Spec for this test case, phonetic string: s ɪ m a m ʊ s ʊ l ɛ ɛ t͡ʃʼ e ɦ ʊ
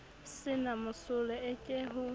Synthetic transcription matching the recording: s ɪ n a m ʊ s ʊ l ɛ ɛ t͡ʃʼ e ɦ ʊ